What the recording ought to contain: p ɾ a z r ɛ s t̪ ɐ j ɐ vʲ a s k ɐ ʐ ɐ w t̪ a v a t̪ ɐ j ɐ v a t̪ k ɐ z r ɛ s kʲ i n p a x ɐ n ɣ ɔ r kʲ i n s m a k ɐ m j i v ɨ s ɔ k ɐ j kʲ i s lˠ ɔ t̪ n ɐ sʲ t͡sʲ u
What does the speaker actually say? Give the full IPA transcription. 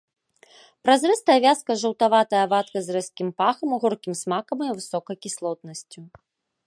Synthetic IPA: p ɾ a z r ɛ s t̪ ɐ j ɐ vʲ a s k ɐ ʐ ɐ w t̪ a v a t̪ ɐ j ɐ v a t̪ k ɐ z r ɛ s kʲ i m p a x ɐ m ɣ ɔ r kʲ i m s m a k ɐ m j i v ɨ s ɔ k ɐ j kʲ i s lˠ ɔ t̪ n ɐ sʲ t͡sʲ u